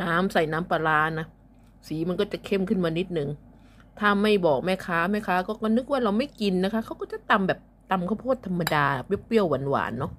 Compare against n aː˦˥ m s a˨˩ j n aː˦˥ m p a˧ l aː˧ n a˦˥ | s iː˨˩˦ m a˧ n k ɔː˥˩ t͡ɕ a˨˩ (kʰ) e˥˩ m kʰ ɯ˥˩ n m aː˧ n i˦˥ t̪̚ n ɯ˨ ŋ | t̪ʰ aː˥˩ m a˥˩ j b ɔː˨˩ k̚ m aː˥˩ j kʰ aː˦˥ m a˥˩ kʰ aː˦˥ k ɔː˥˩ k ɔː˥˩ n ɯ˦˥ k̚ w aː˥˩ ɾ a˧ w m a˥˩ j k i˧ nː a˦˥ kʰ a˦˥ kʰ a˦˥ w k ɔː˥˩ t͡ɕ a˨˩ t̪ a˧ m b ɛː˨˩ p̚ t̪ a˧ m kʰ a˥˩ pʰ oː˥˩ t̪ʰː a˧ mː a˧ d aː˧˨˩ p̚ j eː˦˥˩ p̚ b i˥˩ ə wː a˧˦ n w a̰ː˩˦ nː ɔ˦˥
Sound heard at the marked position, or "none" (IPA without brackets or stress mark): kʰ